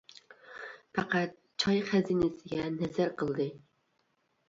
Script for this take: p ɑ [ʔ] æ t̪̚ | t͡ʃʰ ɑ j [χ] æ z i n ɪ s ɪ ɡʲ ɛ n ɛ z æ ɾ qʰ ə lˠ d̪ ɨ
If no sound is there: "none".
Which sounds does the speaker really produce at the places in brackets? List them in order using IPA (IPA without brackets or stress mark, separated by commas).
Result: q, χ